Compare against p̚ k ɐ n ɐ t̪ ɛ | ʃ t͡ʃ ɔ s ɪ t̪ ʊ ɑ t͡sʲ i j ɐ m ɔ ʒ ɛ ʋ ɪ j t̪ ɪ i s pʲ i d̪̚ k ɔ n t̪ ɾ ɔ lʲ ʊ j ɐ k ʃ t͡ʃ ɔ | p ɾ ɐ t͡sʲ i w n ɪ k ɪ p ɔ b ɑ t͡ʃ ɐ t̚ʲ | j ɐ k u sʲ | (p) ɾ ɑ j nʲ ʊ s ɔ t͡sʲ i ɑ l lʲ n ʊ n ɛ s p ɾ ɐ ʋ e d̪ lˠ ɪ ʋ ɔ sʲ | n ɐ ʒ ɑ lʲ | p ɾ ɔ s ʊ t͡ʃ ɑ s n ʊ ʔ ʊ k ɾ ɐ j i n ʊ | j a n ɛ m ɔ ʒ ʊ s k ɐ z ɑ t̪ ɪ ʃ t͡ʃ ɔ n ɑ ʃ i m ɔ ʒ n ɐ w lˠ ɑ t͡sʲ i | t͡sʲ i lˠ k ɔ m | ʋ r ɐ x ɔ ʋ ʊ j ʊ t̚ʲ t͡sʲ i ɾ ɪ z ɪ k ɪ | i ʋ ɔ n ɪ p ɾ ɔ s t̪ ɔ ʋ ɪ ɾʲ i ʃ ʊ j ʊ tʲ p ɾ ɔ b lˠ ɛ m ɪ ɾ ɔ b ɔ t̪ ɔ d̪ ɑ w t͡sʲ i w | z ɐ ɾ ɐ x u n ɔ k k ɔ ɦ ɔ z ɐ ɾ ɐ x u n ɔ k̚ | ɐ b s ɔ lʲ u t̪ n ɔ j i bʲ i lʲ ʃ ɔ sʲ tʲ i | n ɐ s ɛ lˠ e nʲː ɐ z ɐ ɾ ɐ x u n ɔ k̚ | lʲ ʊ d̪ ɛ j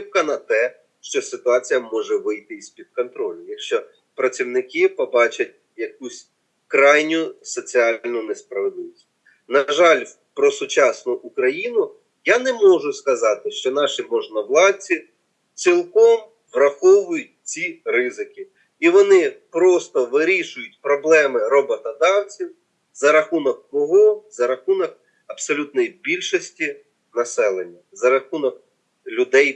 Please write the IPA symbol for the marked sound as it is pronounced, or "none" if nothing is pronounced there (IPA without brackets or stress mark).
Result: k